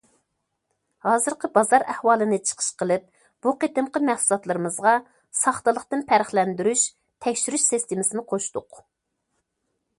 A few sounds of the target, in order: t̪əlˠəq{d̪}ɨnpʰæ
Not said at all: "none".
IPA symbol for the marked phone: t̪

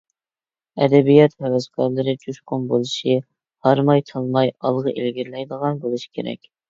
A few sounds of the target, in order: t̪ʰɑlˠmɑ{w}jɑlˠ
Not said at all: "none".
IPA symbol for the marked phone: none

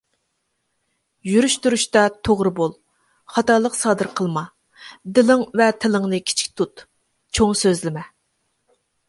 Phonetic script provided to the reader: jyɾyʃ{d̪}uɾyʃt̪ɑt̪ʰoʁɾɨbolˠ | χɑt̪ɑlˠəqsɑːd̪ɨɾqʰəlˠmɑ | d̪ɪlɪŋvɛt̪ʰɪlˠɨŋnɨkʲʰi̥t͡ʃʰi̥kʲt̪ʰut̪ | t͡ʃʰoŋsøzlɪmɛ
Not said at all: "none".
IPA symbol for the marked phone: t̪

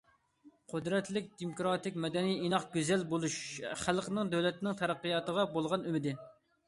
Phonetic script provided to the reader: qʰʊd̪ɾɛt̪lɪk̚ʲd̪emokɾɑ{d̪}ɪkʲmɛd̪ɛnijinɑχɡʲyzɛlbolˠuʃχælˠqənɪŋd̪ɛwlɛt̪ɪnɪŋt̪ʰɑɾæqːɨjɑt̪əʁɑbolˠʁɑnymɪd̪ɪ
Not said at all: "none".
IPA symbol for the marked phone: t̪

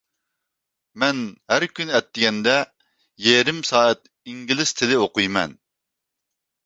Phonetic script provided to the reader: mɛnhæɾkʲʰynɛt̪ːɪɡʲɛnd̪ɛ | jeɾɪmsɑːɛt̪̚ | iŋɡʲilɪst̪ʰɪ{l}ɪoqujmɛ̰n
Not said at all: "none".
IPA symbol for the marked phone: l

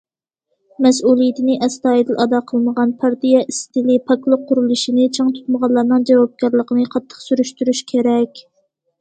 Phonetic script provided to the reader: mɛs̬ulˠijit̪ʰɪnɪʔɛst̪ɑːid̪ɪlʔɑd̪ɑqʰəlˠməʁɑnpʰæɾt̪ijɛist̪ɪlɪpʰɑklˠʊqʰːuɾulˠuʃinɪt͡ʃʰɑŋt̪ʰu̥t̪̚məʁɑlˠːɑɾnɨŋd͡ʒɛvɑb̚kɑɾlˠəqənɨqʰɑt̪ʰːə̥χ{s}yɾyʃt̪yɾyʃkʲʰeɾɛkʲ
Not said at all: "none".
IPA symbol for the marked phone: s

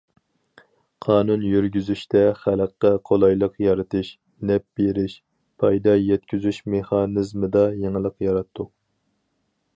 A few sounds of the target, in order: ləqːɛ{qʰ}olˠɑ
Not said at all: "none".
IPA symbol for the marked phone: qʰ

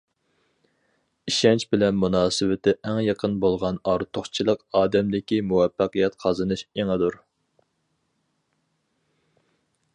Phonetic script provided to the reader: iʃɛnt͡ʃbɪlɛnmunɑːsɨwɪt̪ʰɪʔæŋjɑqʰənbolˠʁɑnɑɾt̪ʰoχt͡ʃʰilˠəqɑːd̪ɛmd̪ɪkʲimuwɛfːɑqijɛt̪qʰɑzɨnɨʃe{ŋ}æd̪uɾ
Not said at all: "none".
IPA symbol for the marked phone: ŋ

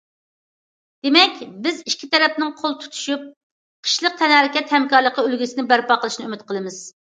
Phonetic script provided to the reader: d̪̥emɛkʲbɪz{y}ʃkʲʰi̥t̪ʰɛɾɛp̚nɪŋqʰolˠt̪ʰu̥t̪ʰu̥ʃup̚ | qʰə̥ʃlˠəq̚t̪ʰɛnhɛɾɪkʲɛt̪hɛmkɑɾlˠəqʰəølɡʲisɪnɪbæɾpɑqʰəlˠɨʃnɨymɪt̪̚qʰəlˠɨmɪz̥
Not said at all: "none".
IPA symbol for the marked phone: i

